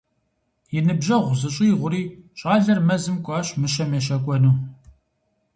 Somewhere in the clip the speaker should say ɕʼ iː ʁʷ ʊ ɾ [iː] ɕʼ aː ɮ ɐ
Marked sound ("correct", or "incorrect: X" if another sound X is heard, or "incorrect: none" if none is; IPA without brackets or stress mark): correct